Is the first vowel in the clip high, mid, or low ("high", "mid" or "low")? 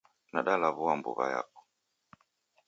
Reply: low